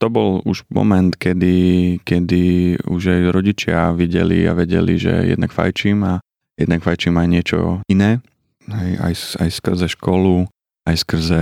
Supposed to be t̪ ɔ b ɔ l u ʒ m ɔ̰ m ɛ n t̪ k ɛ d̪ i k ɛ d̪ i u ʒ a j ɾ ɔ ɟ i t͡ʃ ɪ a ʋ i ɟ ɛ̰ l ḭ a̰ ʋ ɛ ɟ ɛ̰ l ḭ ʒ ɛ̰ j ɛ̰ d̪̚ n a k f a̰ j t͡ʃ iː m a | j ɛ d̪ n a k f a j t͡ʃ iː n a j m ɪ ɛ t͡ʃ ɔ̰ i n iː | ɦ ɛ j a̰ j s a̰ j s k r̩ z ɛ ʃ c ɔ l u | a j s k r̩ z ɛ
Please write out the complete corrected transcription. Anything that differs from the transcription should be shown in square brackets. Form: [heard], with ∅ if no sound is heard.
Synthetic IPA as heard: t̪ ɔ b ɔ l u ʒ m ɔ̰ m ɛ n t̪ k ɛ d̪ i k ɛ d̪ i u ʒ a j ɾ ɔ ɟ i t͡ʃ ɪ a ʋ i ɟ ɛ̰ l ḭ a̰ ʋ ɛ ɟ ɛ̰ l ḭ ʒ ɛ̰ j ɛ̰ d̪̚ n a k f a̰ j t͡ʃ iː m a | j ɛ d̪ n a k f a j t͡ʃ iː [m] a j [ɲ] ɪ ɛ t͡ʃ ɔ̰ i n [ɛː] | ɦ ɛ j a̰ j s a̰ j s k r̩ z ɛ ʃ [k] ɔ l u | a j s k r̩ z ɛ